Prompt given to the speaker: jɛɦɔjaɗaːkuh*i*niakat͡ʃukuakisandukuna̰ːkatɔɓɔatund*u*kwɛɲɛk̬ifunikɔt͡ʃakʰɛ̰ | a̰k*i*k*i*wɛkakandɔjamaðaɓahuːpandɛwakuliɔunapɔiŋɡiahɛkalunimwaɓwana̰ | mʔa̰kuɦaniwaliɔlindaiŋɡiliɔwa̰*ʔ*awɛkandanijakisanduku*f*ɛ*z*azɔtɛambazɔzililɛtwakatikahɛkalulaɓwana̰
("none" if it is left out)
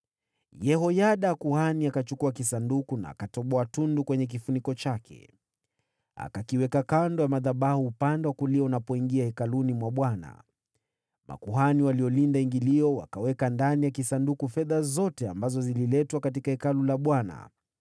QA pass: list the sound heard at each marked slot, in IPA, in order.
a, u, a, i, k, f, ð

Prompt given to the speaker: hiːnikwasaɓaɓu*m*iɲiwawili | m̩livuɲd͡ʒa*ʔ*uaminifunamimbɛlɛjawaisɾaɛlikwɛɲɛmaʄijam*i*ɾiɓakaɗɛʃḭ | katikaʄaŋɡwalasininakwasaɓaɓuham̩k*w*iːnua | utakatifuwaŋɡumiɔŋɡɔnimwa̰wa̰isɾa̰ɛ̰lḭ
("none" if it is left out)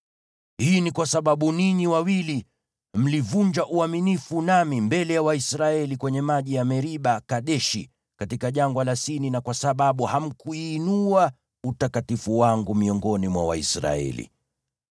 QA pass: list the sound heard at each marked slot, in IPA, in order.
n, ʔ, ɛ, u

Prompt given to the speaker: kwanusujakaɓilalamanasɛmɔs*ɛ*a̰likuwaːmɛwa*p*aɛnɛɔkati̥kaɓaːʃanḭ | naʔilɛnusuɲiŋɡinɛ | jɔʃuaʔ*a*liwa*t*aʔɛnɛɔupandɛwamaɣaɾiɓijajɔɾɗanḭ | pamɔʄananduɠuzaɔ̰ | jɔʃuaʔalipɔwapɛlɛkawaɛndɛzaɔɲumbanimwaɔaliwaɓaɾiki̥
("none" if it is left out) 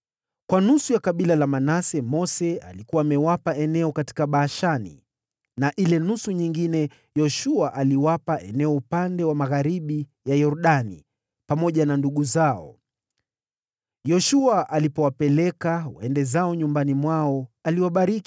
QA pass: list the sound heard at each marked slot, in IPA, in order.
ɛ, p, a, p

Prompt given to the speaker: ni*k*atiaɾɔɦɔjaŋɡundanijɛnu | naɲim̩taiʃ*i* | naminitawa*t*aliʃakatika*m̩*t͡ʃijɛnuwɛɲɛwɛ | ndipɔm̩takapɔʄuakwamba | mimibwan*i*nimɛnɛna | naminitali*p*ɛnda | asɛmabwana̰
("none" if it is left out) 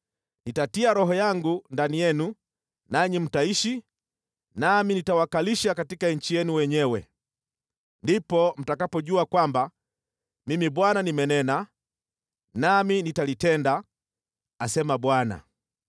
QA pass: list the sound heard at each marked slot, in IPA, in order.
t, i, k, ɲ̩, a, t

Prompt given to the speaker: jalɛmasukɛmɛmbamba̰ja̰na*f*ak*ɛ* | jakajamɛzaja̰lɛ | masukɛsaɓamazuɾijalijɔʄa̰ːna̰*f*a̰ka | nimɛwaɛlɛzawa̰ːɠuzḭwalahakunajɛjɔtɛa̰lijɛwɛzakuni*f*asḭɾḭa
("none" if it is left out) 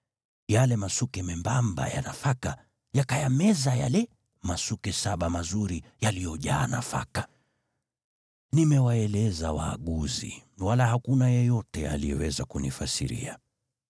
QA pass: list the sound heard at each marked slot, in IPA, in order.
f, a, f, f

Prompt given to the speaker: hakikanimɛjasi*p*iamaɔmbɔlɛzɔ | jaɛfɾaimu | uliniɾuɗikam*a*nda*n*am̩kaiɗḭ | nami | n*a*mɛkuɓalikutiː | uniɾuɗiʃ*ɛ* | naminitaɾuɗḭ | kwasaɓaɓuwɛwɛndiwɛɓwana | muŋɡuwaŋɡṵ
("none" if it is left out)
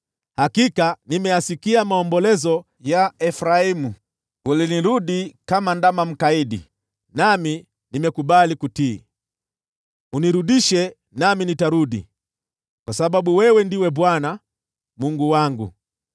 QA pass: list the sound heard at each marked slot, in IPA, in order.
k, a, m, i, ɛ

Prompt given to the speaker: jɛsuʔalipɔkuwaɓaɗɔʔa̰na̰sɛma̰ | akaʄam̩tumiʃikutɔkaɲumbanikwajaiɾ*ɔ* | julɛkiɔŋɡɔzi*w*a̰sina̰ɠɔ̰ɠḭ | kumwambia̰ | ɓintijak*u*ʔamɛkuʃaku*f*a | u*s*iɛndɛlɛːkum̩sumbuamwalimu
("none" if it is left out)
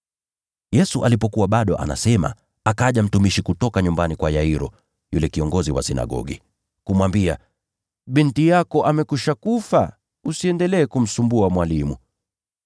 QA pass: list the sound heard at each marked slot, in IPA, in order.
ɔ, w, ɔ, f, s

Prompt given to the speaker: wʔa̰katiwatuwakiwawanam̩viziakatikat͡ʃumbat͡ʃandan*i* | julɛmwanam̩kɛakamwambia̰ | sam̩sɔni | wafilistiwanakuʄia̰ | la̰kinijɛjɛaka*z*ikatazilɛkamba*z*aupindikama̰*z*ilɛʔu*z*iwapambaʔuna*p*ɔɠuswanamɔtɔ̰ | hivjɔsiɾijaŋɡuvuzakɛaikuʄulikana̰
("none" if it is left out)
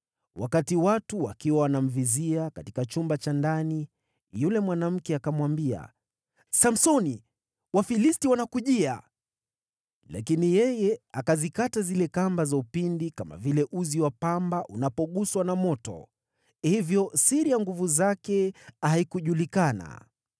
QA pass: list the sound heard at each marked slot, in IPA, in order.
i, z, z, v, z, p

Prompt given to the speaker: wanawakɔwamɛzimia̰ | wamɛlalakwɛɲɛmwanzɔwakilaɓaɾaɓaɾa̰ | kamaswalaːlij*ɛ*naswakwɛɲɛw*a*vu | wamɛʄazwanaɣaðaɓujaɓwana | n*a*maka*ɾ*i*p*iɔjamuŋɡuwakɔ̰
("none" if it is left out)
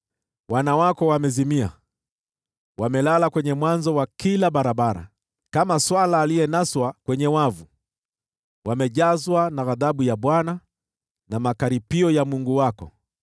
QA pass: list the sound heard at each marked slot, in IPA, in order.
ɛ, a, a, ɾ, p

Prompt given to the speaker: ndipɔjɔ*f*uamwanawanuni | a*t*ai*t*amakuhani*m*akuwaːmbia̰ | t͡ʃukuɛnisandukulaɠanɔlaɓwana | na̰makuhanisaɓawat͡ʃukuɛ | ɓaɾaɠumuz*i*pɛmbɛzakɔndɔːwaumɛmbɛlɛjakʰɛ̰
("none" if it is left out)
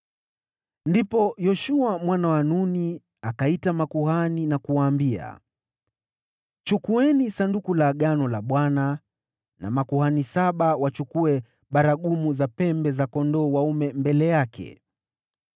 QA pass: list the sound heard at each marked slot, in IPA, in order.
ʃ, k, t, n, a

